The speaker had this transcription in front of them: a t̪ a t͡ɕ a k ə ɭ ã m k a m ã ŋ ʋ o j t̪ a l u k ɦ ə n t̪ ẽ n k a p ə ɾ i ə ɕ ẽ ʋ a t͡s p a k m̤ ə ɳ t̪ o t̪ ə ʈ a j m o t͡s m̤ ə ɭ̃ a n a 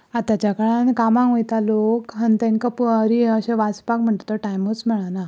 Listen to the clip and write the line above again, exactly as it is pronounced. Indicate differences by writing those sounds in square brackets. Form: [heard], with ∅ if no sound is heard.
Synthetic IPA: a t̪ a t͡ɕ a k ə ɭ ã [n] k a m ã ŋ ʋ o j t̪ a l [o] k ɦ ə n t̪ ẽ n k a p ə ɾ i ə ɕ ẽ ʋ a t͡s p a k m̤ ə ɳ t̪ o t̪ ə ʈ a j m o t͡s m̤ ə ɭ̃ a n a